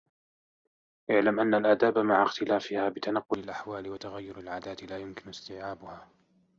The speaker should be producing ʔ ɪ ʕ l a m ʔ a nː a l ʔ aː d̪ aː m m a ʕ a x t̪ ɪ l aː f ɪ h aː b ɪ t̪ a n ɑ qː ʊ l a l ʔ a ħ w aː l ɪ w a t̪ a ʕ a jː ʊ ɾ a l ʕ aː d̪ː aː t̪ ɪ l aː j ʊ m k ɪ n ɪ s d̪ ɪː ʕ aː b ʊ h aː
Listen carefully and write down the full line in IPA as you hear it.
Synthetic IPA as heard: ʔ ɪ ʕ l a m ʔ a nː a l ʔ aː d̪ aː b m a ʕ a x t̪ ɪ l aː f ɪ h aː b ɪ t̪ a n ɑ qː ʊ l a l ʔ a ħ w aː l ɪ w a t̪ a ɣ a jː ʊ ɾ a l ʕ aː d̪ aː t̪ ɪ l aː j ʊ m k ɪ n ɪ s t̪ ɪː ʕ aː b ʊ h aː